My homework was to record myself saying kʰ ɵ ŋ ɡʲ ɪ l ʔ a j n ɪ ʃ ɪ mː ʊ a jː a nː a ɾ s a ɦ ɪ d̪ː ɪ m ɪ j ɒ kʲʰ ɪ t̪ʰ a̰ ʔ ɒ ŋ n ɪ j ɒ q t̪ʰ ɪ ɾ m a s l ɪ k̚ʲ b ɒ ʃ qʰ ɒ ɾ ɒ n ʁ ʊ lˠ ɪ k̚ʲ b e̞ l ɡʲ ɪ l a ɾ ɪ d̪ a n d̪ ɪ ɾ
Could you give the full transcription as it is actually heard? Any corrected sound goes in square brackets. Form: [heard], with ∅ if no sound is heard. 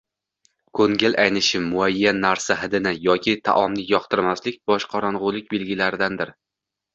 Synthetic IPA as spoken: kʰ ɵ ŋ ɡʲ ɪ l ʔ a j n ɪ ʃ ɪ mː ʊ a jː a nː a ɾ s a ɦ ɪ [d̪] ɪ [n] ɪ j ɒ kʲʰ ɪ t̪ʰ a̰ ʔ ɒ [m] n ɪ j ɒ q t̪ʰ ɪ ɾ m a s l ɪ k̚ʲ b ɒ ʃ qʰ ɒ ɾ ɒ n ʁ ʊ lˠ ɪ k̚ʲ b e̞ l ɡʲ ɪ l a ɾ ɪ d̪ a n d̪ ɪ ɾ

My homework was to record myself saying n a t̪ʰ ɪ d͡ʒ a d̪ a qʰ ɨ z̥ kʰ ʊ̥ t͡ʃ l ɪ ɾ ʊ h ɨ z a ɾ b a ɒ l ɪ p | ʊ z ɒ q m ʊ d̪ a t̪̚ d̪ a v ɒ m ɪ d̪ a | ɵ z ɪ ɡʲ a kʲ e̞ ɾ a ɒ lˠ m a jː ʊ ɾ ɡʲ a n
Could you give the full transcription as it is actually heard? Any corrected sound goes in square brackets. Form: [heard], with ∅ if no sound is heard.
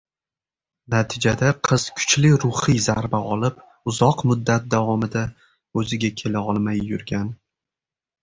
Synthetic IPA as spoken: n a t̪ʰ ɪ d͡ʒ a d̪ a qʰ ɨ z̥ kʰ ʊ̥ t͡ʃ l ɪ ɾ ʊ h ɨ z a ɾ b a ɒ l ɪ p | ʊ z ɒ q m ʊ [d̪ː] a t̪̚ d̪ a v ɒ m ɪ d̪ a | ɵ z ɪ ɡʲ a [kʲʰ] e̞ [l] a ɒ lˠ m a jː ʊ ɾ ɡʲ a n

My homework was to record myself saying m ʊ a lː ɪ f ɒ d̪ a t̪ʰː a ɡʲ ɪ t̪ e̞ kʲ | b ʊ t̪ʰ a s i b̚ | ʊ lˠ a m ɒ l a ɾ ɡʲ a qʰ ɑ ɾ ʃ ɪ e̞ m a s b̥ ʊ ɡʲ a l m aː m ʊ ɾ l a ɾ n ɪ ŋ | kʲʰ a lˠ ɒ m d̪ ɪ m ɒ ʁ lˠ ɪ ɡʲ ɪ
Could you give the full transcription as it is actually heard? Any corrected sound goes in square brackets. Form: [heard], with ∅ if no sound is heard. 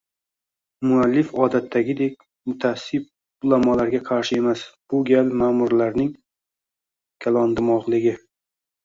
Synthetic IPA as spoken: m ʊ a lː ɪ f ɒ d̪ a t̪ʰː a ɡʲ ɪ [d̪] e̞ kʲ | [m] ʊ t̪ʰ a s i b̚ | ʊ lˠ a m ɒ l a ɾ ɡʲ a qʰ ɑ ɾ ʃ ɪ e̞ m a s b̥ ʊ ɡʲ a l m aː m ʊ ɾ l a ɾ n ɪ ŋ | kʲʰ a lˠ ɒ [n] d̪ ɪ m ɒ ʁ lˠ ɪ ɡʲ ɪ

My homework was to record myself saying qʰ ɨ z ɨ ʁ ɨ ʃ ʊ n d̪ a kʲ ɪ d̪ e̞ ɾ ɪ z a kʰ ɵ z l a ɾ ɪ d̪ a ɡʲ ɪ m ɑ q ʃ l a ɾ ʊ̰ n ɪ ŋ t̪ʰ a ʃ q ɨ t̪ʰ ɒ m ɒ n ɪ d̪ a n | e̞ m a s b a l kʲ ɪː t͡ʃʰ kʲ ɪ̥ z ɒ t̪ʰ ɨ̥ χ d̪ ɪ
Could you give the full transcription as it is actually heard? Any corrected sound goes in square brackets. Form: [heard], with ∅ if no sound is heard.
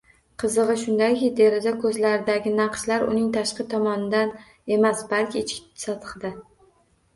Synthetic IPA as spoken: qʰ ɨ z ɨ ʁ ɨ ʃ ʊ n d̪ a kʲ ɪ d̪ e̞ ɾ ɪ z a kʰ ɵ z l a ɾ ɪ d̪ a ɡʲ ɪ [n] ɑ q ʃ l a ɾ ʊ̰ n ɪ ŋ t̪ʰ a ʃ q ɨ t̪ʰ ɒ m ɒ n ɪ d̪ a n | e̞ m a s b a l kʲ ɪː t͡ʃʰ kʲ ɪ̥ [s] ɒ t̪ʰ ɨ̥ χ d̪ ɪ

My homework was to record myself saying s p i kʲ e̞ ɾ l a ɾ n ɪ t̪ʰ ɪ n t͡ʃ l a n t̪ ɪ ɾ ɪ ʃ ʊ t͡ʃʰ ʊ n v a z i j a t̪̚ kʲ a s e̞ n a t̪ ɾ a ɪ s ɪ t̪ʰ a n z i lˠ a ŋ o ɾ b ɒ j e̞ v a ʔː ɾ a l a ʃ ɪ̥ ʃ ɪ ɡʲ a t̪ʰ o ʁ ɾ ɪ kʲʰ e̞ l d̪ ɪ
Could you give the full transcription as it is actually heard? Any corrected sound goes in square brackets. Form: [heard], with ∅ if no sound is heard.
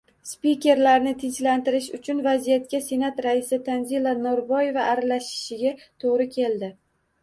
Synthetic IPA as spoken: s p i kʲ e̞ ɾ l a ɾ n ɪ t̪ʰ ɪ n t͡ʃ l a n t̪ ɪ ɾ ɪ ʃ ʊ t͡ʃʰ ʊ n v a z i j a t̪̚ kʲ a s e̞ n a t̪ ɾ a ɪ s ɪ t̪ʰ a n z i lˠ a [n] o ɾ b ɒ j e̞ v a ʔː ɾ a l a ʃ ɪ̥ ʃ ɪ ɡʲ a t̪ʰ o ʁ ɾ ɪ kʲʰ e̞ l d̪ ɪ

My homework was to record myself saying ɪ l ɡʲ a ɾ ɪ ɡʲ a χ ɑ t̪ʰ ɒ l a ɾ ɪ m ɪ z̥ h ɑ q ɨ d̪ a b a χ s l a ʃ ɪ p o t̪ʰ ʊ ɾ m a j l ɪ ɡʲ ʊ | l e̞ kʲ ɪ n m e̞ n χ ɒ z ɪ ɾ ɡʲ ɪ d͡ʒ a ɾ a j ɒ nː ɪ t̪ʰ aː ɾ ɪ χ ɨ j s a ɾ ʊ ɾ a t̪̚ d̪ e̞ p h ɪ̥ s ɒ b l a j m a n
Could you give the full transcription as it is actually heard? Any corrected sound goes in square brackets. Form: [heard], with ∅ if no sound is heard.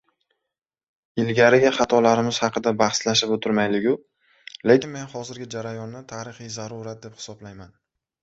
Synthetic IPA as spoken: ɪ l ɡʲ a ɾ ɪ ɡʲ a χ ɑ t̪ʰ ɒ l a ɾ ɪ m ɪ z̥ h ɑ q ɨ d̪ a b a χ s l a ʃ ɪ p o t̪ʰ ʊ ɾ m a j l ɪ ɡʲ ʊ | l e̞ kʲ ɪ n m e̞ n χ ɒ z ɪ ɾ ɡʲ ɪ d͡ʒ a ɾ a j ɒ nː ɪ t̪ʰ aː ɾ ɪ χ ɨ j [z] a ɾ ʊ ɾ a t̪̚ d̪ e̞ p h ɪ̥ s ɒ b l a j m a n

